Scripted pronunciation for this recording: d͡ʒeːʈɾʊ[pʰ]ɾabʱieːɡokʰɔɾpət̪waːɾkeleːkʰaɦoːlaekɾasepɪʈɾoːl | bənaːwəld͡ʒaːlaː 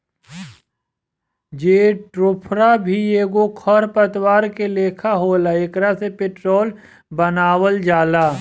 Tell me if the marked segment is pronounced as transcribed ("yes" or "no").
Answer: yes